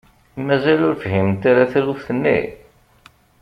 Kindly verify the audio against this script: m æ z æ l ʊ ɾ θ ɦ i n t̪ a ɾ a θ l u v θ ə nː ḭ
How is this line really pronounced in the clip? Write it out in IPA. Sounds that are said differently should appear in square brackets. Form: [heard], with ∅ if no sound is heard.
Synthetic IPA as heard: m æ z æ l ʊ ɾ [f] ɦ i [m] t̪ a ɾ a θ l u [f] θ ə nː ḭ

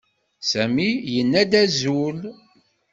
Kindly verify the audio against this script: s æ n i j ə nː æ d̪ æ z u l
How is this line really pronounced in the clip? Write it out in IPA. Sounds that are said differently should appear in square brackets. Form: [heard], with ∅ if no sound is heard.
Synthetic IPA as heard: s æ [m] i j ə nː æ d̪ æ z u l

